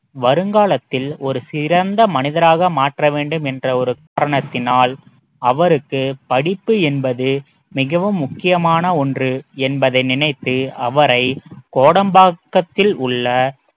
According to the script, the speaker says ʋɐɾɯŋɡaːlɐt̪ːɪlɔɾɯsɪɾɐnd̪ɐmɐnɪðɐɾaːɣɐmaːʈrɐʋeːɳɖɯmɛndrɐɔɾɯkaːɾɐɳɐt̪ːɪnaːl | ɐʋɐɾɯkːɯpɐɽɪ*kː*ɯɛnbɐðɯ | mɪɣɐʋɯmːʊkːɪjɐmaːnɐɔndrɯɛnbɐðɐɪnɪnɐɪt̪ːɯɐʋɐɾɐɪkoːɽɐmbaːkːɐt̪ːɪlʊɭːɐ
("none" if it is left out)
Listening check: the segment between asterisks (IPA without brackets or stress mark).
pː